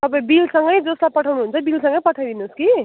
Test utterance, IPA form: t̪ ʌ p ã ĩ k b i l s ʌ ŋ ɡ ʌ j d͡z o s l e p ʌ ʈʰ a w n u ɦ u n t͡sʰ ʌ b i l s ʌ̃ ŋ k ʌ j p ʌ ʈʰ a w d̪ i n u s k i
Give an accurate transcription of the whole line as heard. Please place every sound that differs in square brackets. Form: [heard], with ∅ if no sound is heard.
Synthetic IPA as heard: t̪ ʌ p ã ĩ [∅] b i l s ʌ ŋ ɡ ʌ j d͡z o s l [a] p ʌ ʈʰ a w n u ɦ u n t͡sʰ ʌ b i l s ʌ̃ ŋ [ɡ] ʌ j p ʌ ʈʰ a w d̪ i n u s k i